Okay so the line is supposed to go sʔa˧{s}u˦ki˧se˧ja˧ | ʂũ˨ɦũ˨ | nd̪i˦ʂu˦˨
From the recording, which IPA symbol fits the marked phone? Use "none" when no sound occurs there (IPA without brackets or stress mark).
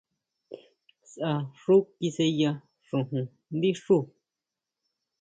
ʂ